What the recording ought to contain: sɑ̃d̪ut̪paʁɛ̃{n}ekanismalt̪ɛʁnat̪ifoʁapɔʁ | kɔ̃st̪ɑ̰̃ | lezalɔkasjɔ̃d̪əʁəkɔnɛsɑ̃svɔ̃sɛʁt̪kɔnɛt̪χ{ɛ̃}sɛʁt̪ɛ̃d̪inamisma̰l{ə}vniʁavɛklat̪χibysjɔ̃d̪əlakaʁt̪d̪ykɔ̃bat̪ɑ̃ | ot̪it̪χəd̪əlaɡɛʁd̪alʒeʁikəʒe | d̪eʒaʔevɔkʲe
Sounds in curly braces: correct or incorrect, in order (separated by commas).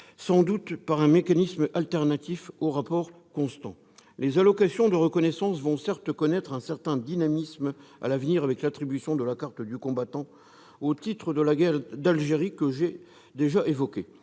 incorrect, correct, incorrect